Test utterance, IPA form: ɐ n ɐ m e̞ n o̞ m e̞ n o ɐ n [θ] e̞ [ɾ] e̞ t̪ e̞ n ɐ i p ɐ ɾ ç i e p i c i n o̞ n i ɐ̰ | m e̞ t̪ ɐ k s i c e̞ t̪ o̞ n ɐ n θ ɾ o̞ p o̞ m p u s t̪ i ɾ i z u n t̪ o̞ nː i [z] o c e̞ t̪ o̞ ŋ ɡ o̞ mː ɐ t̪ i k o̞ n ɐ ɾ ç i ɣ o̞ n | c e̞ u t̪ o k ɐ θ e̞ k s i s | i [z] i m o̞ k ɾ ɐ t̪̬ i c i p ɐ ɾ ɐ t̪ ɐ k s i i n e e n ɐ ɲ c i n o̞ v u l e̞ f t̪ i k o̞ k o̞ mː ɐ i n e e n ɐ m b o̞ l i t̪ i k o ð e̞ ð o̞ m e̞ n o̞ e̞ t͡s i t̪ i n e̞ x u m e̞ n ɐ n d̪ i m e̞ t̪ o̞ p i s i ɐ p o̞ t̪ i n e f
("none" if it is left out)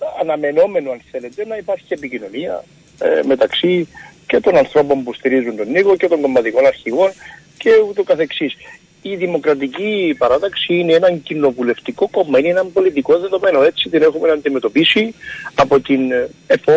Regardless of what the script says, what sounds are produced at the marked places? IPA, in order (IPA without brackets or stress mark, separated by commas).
θ, l, ɣ, ð